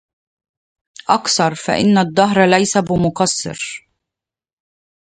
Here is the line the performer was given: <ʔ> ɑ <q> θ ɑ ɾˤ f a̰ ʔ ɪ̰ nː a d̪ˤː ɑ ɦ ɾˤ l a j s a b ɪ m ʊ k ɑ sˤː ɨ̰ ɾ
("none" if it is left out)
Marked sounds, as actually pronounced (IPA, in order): ʔ, k

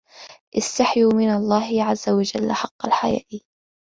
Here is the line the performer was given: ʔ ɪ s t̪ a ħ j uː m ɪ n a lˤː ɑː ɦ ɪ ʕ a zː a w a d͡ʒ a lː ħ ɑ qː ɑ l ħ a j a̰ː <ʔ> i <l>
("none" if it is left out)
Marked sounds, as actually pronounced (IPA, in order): ʔ, none

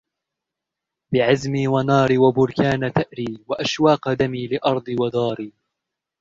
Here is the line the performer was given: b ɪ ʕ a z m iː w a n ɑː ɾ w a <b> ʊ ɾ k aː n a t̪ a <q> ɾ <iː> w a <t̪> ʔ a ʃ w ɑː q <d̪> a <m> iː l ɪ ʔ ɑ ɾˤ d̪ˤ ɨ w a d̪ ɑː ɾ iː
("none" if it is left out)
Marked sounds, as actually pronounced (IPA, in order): b, ʔ, iː, none, d̪, m

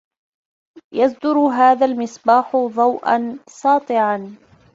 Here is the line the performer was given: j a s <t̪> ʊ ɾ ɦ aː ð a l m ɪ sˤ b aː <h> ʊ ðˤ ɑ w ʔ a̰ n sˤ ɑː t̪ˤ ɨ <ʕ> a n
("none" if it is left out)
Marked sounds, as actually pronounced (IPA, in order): d̪, ħ, ʕ

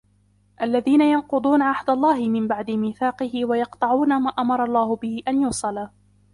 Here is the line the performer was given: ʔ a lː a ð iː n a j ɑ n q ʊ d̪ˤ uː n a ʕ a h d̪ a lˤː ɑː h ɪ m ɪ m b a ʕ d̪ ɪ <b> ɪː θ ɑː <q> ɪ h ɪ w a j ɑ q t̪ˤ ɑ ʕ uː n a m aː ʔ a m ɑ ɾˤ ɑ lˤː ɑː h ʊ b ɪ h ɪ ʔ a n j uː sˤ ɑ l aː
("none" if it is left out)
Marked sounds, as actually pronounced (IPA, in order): m, q

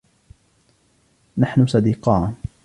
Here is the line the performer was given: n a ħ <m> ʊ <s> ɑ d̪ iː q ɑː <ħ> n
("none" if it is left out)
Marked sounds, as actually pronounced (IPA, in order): n, s, none

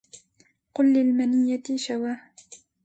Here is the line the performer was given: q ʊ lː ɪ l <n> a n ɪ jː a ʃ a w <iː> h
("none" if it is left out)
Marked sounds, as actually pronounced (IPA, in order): m, aː

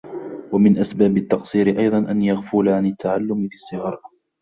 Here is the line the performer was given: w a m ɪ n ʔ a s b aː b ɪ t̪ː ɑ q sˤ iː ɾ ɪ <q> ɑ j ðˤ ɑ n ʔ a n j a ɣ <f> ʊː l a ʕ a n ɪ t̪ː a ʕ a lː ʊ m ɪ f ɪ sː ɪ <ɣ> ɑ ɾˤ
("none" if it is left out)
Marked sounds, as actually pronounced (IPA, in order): ʔ, f, ɣ

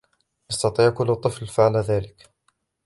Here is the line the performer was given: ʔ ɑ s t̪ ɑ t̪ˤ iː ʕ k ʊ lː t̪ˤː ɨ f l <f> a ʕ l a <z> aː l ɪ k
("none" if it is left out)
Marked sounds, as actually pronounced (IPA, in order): f, ð

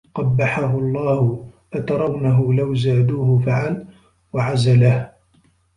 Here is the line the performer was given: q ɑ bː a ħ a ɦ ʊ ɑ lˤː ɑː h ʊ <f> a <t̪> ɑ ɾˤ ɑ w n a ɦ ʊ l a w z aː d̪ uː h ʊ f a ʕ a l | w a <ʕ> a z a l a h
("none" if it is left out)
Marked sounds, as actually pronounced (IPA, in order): f, t̪, ʕ

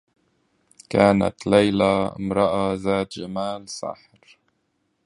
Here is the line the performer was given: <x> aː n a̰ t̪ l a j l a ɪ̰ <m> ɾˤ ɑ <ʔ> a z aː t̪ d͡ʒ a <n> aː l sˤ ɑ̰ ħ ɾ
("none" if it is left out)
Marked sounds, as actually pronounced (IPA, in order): k, m, ʔ, m

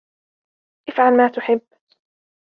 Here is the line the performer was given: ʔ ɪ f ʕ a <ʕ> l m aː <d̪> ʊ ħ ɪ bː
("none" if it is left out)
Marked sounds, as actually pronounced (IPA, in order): none, t̪

